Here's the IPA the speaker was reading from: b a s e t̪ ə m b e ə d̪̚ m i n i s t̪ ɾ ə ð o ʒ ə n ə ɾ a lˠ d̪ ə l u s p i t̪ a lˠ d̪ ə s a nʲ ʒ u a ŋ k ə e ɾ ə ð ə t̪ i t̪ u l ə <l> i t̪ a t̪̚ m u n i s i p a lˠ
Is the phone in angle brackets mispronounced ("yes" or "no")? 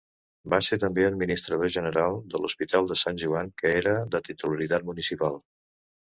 yes